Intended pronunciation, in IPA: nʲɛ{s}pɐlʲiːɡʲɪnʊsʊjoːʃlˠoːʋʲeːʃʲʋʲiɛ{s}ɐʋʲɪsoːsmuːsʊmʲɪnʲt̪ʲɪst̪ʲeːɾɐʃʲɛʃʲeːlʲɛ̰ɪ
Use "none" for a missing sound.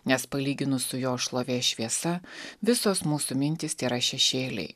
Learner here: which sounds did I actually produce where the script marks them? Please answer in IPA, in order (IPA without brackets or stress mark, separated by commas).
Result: s, s